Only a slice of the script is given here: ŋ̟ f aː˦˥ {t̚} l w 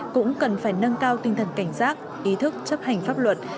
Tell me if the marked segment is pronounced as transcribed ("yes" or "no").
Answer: no